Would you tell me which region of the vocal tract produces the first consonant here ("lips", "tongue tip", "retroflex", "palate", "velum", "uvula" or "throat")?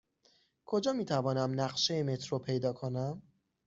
velum